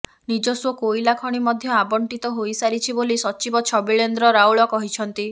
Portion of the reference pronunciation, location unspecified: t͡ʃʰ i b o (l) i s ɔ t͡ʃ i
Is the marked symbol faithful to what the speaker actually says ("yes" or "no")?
yes